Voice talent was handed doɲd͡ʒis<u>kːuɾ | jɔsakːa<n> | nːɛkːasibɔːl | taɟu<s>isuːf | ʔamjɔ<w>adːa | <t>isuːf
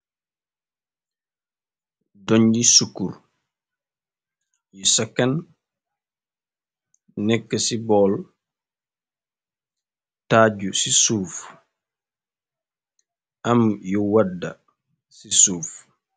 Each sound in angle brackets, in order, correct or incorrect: correct, correct, correct, correct, incorrect: s

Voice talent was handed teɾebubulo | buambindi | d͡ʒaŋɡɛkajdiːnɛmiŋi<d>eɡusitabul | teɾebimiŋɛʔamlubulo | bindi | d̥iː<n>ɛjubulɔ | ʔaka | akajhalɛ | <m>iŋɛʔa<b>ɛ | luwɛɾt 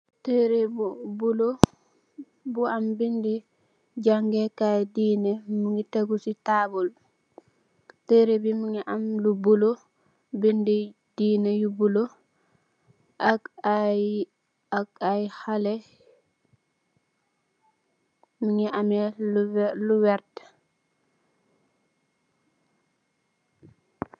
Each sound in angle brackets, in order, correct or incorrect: incorrect: t, correct, correct, incorrect: m

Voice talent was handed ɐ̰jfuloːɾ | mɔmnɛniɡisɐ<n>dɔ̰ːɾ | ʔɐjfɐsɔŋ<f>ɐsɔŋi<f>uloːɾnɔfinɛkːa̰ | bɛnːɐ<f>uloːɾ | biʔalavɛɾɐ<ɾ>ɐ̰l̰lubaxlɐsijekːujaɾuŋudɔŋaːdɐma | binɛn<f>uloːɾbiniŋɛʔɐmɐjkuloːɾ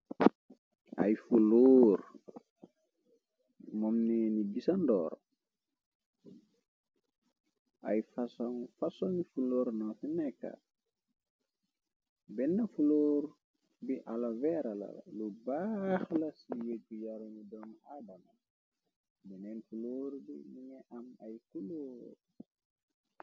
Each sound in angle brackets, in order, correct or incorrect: correct, correct, correct, correct, incorrect: l, correct

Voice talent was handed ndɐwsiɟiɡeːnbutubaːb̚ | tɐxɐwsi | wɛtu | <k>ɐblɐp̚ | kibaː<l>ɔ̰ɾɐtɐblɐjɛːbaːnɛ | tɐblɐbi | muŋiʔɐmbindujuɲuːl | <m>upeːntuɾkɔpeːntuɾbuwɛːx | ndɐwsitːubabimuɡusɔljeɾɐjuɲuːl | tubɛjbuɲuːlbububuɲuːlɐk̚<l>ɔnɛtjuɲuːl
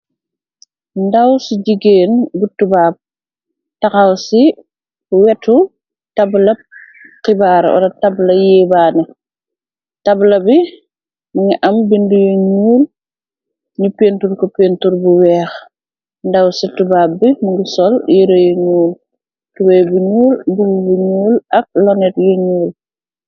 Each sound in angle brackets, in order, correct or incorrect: incorrect: t, incorrect: ɾ, incorrect: ɲ, correct

